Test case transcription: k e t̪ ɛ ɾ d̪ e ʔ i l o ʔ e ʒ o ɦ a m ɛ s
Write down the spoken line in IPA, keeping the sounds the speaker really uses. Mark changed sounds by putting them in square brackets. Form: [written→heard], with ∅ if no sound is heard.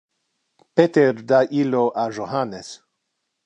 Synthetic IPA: [k→p] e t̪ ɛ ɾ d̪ [e→a] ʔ i l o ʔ [e→a] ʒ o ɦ a [m→n] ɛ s